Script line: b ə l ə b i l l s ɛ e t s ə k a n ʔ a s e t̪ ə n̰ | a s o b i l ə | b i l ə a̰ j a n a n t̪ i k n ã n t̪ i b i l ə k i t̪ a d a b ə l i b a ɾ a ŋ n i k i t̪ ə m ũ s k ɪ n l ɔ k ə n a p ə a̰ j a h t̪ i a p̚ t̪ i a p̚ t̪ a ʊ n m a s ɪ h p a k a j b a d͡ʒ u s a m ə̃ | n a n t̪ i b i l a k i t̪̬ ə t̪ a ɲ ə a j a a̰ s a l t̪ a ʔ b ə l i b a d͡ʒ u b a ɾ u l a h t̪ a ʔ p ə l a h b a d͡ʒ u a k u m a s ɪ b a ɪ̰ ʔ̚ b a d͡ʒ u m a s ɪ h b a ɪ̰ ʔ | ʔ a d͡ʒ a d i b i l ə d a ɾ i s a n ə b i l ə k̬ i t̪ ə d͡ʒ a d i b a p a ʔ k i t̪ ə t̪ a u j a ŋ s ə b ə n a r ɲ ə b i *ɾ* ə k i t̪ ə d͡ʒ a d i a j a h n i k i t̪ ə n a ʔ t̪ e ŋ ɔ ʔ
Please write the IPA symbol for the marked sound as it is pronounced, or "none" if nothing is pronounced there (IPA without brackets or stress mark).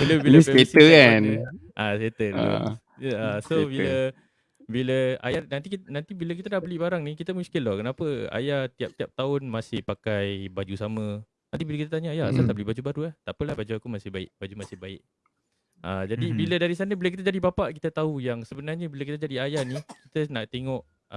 l